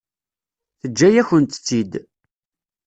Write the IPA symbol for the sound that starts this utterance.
θ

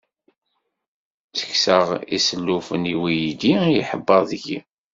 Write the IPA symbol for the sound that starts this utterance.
t͡s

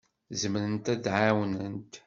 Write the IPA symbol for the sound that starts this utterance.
z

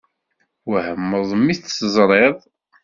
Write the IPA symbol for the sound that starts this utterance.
w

